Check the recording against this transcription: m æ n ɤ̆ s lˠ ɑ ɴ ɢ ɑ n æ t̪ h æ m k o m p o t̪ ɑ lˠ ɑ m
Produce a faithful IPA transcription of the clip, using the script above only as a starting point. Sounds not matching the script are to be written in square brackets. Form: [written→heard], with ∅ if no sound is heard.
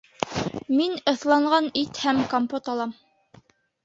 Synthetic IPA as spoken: m [æ→i] n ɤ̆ [s→θ] lˠ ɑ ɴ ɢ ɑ n [æ→i] t̪ h æ m k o m p o t̪ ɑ lˠ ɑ m